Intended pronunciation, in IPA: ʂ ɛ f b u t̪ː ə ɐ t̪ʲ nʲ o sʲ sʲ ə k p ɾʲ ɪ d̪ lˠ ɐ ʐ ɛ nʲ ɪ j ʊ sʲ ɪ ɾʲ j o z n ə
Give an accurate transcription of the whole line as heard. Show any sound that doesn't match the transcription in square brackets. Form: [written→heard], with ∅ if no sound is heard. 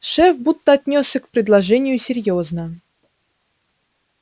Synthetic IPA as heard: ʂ ɛ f b u t̪ː ə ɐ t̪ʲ nʲ o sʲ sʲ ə k p ɾʲ ɪ d̪ lˠ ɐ ʐ ɛ nʲ ɪ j ʊ sʲ ɪ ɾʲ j o z n ə